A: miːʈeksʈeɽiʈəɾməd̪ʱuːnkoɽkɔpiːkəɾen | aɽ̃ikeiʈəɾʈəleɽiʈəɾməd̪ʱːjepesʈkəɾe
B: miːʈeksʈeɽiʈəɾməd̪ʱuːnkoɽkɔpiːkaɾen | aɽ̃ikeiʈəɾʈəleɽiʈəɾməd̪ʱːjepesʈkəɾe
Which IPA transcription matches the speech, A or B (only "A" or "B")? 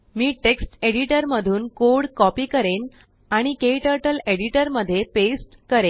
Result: A